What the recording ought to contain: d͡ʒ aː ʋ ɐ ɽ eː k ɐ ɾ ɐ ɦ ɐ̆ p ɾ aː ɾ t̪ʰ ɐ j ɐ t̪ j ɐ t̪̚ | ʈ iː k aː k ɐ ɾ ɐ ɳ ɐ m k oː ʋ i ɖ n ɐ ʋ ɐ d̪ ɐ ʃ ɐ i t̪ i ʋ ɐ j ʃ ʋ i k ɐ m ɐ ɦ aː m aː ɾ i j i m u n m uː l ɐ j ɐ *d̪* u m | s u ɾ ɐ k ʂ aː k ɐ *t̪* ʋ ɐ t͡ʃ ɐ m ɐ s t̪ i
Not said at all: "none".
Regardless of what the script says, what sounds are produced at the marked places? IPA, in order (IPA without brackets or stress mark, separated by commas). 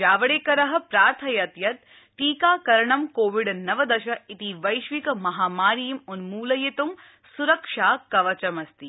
t̪, none